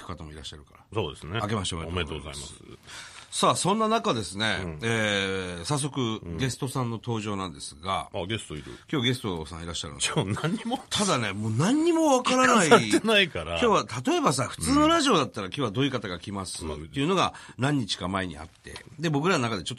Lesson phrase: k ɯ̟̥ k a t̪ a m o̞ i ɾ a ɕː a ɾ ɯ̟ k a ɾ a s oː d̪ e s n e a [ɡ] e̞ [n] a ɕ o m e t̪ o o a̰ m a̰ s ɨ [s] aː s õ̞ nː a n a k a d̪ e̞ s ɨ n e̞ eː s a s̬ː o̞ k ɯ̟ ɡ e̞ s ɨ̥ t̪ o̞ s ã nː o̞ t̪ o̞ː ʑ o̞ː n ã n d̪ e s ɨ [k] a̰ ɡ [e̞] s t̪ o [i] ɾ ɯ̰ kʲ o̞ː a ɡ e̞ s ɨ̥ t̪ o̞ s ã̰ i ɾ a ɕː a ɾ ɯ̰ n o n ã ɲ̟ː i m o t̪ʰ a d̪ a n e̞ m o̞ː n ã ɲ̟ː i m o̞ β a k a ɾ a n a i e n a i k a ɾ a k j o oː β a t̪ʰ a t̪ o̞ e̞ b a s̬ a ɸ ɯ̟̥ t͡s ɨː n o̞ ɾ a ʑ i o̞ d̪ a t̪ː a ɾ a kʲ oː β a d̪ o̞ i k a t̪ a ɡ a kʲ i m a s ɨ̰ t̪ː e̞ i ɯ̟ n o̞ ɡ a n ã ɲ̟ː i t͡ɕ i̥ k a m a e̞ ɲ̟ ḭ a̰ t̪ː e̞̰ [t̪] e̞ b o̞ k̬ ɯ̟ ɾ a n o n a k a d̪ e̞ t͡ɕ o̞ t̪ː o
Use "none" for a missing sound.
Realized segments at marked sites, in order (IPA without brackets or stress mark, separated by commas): k, m, s, ɡ, e̞, i, d̪